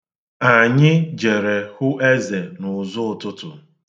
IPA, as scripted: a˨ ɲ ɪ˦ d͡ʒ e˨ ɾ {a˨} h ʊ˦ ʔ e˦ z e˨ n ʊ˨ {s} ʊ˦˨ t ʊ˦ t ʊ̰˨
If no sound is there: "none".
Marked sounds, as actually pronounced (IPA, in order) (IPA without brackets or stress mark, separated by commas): e˨, z